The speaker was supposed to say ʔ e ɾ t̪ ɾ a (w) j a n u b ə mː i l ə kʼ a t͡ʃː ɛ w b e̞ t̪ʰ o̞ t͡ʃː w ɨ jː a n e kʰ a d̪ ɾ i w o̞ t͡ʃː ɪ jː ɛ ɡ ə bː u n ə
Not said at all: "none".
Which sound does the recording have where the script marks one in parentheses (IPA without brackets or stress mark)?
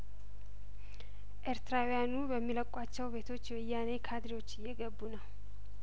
w